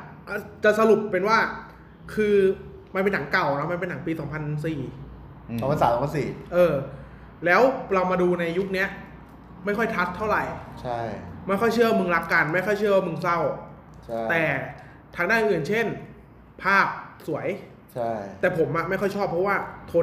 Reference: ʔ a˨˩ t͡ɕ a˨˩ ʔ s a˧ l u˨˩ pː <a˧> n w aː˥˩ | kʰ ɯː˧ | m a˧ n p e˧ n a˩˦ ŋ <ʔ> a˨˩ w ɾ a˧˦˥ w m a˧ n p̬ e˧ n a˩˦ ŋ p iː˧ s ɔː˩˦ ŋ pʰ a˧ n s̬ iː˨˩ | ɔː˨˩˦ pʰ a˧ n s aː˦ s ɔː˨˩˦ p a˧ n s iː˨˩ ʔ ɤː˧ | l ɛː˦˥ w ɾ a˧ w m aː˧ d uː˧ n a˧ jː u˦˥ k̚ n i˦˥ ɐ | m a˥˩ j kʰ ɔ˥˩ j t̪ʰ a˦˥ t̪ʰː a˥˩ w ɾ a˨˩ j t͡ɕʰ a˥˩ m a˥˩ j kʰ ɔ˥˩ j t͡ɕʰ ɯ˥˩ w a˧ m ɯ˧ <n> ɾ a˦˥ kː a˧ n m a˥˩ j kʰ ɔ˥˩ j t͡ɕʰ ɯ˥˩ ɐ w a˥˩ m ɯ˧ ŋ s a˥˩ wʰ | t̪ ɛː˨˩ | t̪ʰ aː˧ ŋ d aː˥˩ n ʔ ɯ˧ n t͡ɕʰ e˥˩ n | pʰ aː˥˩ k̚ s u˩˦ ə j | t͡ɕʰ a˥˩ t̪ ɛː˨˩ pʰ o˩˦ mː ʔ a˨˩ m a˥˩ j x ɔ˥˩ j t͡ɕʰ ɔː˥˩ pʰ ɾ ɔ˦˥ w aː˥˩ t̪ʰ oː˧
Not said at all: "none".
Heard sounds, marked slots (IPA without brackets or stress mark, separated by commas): e˧, k, ŋ